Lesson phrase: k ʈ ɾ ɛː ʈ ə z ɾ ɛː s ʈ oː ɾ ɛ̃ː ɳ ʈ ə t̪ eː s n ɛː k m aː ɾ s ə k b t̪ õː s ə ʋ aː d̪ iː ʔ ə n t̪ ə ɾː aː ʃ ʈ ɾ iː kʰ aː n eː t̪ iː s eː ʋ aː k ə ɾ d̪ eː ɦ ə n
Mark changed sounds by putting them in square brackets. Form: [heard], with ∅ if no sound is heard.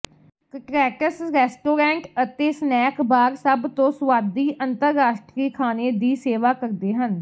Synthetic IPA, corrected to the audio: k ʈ ɾ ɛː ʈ ə [s] ɾ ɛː s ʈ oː ɾ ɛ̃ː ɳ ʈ ə t̪ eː s n ɛː k [b] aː ɾ s ə [∅] b t̪ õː s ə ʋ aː d̪ iː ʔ ə n t̪ ə ɾː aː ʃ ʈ ɾ iː kʰ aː n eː [d̪] iː s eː ʋ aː k ə ɾ d̪ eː ɦ ə n